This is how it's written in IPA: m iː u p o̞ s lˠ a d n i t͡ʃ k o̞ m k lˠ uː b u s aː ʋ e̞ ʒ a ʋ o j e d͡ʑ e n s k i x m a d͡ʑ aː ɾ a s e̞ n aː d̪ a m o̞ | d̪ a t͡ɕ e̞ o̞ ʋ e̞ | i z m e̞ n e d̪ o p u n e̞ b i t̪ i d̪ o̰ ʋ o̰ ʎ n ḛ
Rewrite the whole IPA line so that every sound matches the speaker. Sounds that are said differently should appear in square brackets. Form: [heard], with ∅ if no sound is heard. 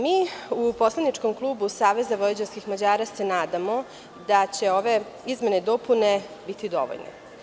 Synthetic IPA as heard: m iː u p o̞ s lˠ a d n i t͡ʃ k o̞ m k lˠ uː b u s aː ʋ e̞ [z] a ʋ o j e d͡ʑ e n s k i x m a d͡ʑ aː ɾ a s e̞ n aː d̪ a m o̞ | d̪ a t͡ɕ e̞ o̞ ʋ e̞ | i z m e̞ n e d̪ o p u n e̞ b i t̪ i d̪ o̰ ʋ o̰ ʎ n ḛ